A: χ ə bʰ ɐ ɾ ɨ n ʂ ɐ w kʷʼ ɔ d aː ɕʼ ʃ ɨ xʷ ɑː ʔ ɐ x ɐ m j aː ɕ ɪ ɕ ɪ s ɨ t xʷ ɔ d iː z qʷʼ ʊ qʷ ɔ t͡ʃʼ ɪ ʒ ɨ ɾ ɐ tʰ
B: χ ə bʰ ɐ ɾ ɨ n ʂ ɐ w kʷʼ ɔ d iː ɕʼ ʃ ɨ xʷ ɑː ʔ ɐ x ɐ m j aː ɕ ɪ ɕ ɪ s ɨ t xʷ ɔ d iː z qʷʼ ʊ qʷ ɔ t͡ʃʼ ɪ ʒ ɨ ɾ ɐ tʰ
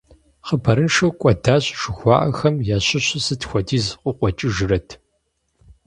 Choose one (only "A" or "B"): A